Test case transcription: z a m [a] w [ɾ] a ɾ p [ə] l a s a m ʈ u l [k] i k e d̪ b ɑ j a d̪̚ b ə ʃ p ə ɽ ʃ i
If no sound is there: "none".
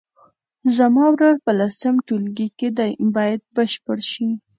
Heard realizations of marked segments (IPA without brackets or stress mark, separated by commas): ɑ, ɾ, ə, ɡ